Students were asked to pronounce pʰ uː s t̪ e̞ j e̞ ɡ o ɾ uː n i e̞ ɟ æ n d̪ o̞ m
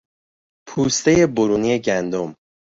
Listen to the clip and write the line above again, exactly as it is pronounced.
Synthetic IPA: pʰ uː s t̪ e̞ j e̞ b o ɾ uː n i e̞ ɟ æ n d̪ o̞ m